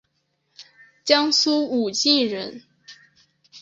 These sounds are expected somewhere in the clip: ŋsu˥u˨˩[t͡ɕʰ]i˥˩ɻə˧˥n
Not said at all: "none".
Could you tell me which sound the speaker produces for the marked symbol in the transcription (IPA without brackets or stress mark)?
t͡ɕ